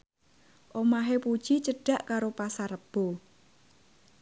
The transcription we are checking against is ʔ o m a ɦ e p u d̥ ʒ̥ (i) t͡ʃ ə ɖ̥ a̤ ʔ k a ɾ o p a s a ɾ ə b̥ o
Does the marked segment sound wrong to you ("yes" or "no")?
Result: no